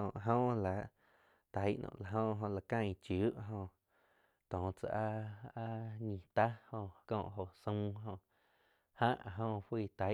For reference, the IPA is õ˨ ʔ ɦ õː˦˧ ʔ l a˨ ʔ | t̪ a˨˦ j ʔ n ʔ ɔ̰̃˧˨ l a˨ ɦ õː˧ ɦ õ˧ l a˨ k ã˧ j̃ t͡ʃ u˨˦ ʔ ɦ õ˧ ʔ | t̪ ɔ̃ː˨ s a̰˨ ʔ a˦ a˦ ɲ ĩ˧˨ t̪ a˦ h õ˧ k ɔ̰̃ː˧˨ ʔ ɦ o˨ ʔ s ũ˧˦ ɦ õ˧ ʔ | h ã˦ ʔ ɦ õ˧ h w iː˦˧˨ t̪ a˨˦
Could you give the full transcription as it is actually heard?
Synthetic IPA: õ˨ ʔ ɦ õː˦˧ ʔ l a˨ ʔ | t̪ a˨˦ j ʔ n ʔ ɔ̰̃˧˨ l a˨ ɦ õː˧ ɦ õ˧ l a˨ k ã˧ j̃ t͡ʃ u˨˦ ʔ ɦ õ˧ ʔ | t̪ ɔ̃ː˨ t͡s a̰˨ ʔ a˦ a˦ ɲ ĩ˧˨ t̪ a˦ h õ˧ k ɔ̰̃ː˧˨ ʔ ɦ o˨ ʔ s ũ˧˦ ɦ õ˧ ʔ | h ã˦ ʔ ɦ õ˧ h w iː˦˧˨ t̪ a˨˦